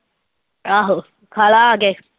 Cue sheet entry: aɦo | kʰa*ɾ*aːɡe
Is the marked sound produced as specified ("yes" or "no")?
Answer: no